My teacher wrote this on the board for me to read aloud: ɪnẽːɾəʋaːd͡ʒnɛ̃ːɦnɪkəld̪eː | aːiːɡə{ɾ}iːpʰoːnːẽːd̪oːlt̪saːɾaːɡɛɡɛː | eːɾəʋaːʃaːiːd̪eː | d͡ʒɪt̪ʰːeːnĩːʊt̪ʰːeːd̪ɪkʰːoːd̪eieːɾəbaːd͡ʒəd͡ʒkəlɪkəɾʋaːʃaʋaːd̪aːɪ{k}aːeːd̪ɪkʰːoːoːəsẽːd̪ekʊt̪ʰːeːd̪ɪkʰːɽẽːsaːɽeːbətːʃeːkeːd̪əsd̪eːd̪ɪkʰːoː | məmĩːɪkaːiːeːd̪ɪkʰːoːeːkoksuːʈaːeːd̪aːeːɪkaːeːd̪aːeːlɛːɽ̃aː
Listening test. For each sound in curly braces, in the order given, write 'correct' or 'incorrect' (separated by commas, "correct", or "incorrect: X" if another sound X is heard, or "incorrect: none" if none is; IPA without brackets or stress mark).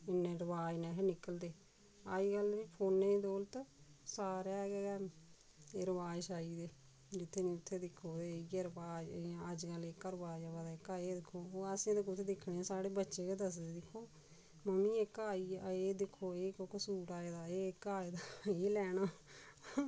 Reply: incorrect: l, correct